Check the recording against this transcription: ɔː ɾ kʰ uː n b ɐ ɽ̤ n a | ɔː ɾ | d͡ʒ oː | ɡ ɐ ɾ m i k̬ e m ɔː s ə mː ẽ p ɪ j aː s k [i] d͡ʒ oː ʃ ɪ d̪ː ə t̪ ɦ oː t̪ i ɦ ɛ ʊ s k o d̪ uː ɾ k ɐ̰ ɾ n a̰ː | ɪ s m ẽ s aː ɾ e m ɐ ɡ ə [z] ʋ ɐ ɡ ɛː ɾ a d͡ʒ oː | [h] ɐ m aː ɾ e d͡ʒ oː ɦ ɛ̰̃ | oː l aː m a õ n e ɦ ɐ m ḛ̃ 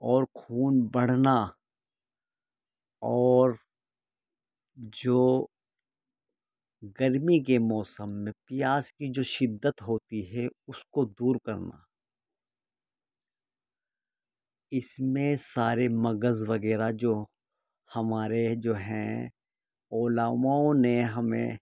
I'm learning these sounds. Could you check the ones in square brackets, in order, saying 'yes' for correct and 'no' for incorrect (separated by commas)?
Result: yes, yes, yes